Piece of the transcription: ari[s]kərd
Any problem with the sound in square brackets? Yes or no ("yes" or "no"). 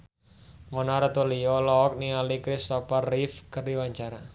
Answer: yes